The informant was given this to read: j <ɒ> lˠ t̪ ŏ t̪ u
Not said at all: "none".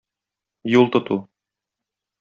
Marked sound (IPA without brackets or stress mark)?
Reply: u